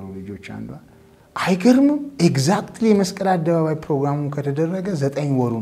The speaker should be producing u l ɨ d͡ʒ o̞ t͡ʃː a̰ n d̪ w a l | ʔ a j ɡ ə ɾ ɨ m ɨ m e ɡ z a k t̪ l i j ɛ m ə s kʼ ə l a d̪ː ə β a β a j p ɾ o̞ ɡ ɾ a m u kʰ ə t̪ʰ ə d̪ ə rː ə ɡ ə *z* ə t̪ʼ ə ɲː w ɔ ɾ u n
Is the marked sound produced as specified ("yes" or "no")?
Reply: yes